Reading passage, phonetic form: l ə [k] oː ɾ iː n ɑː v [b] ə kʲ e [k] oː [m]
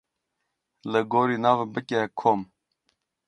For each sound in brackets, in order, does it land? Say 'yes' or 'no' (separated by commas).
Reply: no, yes, no, yes